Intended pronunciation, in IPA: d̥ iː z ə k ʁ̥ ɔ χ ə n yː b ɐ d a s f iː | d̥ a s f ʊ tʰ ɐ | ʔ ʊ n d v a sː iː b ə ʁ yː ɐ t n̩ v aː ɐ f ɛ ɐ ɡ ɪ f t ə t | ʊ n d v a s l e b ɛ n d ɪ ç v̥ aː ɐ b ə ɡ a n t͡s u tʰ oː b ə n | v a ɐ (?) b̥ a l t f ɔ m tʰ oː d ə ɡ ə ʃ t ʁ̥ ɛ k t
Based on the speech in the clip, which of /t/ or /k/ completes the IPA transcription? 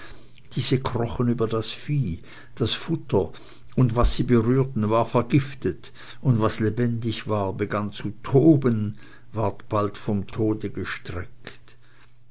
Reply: t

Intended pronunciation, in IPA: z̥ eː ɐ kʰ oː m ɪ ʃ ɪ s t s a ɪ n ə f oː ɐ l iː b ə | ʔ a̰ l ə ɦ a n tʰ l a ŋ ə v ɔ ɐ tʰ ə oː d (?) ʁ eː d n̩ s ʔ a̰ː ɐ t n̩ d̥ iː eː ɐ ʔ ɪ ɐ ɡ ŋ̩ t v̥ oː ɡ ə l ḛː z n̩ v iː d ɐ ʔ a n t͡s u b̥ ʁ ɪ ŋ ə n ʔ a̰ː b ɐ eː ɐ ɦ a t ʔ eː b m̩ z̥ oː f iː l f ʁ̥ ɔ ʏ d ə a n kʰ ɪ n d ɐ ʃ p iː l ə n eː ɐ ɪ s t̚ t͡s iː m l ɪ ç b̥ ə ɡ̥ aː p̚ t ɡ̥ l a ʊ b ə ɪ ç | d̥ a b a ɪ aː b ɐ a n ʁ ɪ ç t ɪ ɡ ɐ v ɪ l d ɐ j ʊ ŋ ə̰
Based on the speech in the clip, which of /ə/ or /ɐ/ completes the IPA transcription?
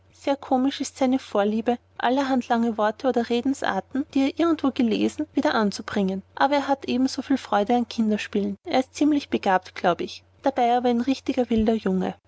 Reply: ɐ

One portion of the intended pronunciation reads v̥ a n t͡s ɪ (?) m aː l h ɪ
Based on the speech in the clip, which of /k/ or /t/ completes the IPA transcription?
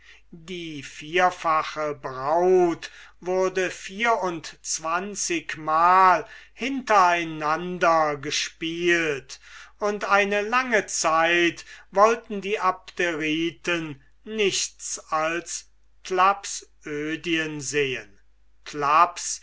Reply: k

